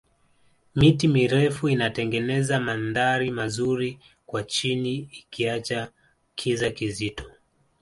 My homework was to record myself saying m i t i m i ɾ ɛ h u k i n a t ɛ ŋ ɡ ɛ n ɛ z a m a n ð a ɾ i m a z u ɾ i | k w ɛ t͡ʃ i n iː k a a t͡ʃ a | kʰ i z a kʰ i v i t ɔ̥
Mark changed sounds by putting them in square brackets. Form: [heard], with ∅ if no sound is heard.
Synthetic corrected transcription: m i t i m i ɾ ɛ [f] u [∅] i n a t ɛ ŋ ɡ ɛ n ɛ z a m a n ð a ɾ i m a z u ɾ i | k w [a] t͡ʃ i n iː k [i] a t͡ʃ a | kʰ i z a [k] i [z] i t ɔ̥